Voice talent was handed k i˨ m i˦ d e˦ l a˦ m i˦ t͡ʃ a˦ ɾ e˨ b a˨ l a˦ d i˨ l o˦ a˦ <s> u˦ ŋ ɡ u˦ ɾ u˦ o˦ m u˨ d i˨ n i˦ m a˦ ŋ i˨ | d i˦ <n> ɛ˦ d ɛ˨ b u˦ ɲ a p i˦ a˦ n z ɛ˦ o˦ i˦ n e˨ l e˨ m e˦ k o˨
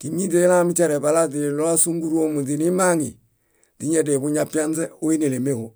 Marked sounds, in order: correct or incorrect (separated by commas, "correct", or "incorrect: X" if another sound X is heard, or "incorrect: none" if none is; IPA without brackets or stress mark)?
correct, incorrect: ɲ